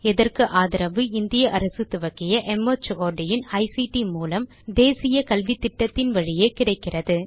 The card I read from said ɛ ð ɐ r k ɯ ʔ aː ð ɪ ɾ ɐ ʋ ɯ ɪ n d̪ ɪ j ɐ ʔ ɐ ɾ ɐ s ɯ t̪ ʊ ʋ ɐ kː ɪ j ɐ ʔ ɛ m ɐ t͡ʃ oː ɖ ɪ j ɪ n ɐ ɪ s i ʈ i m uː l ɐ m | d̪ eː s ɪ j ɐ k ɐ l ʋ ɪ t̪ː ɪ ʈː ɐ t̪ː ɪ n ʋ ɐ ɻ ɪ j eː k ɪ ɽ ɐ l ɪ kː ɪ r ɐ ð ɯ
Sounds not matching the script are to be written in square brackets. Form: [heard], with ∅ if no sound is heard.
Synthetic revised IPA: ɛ ð ɐ r k ɯ ʔ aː ð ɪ ɾ ɐ ʋ ɯ ɪ n d̪ ɪ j ɐ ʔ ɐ ɾ ɐ s ɯ t̪ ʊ ʋ ɐ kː ɪ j ɐ ʔ ɛ m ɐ t͡ʃ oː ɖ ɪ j ɪ n ɐ ɪ s i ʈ i m uː l ɐ m | d̪ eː s ɪ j ɐ k ɐ l ʋ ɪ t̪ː ɪ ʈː ɐ t̪ː ɪ n ʋ ɐ ɻ ɪ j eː k ɪ ɽ ɐ [∅] ɪ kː ɪ r ɐ ð ɯ